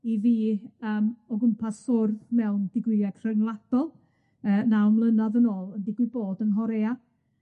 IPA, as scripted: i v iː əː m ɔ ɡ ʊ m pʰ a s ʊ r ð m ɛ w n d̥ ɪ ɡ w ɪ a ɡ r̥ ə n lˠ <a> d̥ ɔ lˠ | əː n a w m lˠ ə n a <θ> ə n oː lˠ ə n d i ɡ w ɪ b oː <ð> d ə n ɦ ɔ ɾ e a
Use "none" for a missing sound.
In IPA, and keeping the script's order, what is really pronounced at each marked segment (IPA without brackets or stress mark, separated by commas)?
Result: a, ð, none